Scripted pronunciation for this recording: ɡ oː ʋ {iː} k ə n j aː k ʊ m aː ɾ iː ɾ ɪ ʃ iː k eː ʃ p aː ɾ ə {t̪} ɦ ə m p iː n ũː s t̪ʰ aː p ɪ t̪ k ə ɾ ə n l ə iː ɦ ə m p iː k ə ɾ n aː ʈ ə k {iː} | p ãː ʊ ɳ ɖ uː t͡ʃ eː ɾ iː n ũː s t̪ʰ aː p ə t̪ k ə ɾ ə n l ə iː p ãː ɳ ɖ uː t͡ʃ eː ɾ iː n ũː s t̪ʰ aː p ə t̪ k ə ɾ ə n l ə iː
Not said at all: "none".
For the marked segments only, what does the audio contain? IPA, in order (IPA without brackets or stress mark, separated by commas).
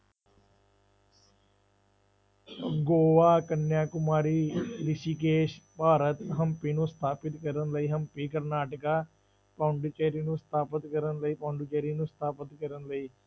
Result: aː, t̪, aː